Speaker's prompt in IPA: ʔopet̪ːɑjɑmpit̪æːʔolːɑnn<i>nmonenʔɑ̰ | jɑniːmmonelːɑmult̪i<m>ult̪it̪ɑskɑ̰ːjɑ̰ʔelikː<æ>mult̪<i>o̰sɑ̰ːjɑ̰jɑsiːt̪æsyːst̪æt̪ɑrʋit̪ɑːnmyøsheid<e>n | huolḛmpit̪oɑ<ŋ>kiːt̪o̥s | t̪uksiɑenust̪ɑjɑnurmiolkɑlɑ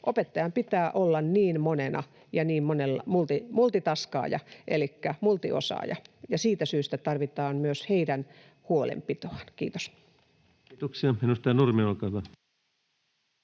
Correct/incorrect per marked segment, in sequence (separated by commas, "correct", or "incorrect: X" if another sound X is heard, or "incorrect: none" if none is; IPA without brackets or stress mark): incorrect: iː, correct, correct, correct, incorrect: æ, incorrect: n